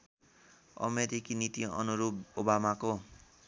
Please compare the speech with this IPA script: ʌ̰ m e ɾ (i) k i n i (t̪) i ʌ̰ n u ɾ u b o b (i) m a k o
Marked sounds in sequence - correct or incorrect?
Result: correct, correct, incorrect

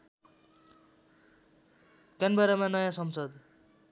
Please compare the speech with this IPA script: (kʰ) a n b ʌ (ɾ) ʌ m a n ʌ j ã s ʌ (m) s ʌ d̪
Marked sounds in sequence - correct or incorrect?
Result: incorrect, correct, correct

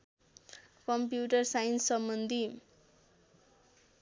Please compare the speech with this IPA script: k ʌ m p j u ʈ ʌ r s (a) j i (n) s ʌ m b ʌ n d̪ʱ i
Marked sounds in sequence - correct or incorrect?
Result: correct, correct

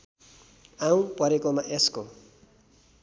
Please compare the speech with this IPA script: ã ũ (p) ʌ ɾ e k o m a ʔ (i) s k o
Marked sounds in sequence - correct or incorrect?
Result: correct, incorrect

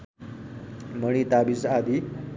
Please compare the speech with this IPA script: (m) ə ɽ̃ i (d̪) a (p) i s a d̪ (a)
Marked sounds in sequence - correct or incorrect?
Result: correct, incorrect, incorrect, incorrect

